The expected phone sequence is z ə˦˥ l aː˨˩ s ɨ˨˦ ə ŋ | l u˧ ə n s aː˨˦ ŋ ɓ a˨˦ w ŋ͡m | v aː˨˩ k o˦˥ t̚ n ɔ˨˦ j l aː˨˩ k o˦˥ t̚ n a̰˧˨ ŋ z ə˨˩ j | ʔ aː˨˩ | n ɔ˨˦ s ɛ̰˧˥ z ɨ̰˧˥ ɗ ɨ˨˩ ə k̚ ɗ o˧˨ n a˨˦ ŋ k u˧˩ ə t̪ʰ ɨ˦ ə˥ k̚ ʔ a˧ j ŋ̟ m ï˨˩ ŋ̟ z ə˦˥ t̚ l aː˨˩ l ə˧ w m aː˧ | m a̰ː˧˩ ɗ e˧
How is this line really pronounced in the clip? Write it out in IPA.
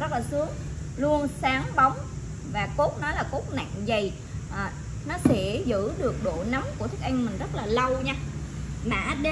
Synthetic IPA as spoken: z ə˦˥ l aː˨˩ s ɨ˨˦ ə ŋ | l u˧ ə n s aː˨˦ ŋ ɓ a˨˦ w ŋ͡m | v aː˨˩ k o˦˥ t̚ n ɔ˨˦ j l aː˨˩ k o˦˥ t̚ n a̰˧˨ ŋ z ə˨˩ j | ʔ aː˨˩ | n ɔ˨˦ s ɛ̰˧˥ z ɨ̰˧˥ ɗ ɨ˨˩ ə k̚ ɗ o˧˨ n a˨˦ m k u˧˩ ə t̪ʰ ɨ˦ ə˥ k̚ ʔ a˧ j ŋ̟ m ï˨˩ ŋ̟ z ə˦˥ t̚ l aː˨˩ l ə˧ w ɲ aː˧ | m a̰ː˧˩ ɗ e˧